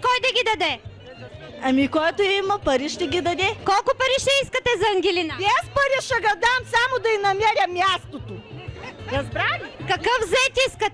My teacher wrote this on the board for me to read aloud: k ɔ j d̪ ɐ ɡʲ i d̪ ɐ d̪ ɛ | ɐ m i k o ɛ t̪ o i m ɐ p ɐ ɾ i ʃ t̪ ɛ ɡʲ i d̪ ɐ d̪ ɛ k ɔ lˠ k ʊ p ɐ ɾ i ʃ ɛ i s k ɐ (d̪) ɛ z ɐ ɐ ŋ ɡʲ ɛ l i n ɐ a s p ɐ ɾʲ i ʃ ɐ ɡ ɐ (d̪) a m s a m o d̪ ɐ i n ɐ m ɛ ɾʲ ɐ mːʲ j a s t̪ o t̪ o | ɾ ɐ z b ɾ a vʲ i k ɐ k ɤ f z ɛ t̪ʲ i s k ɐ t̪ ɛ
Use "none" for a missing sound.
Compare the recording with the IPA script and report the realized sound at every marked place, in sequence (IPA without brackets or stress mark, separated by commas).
t̪, d̪